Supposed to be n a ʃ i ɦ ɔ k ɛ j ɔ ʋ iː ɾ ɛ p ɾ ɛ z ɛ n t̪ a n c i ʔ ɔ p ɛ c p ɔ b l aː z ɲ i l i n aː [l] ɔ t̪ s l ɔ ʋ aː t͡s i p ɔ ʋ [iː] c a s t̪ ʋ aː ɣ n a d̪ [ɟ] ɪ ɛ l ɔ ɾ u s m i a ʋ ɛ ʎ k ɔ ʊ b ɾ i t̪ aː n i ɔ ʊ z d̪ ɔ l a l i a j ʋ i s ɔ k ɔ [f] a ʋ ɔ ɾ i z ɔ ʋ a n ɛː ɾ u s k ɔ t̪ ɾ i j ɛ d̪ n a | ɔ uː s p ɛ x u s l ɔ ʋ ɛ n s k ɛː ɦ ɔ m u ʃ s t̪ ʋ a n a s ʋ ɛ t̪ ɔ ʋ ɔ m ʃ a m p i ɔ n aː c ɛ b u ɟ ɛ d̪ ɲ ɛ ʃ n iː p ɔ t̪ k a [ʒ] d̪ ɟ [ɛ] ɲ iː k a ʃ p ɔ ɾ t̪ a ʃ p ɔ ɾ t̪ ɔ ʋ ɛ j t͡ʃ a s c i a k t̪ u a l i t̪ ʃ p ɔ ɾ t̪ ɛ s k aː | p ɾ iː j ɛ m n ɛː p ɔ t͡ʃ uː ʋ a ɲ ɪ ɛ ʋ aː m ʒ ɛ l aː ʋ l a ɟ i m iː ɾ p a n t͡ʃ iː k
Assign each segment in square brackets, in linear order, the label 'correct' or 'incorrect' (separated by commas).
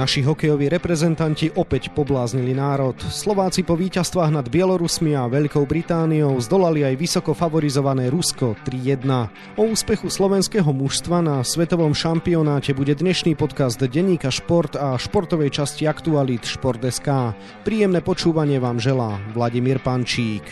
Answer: incorrect, correct, incorrect, correct, incorrect, correct